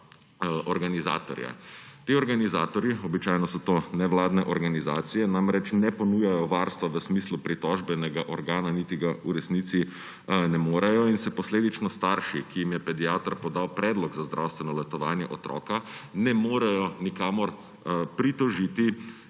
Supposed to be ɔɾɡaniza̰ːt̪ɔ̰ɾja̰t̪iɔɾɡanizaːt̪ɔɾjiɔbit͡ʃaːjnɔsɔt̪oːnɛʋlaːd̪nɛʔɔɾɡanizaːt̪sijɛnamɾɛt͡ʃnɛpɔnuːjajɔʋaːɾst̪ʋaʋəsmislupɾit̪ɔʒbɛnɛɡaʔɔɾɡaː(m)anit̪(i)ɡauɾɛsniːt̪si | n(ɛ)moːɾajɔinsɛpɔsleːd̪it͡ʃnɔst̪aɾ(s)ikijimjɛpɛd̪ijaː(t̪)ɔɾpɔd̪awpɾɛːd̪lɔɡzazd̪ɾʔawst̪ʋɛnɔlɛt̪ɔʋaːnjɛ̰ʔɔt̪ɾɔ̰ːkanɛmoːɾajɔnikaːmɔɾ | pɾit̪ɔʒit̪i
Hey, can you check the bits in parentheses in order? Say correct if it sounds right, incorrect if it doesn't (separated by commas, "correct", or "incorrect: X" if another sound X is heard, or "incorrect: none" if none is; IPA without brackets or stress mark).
incorrect: n, correct, correct, incorrect: ʃ, correct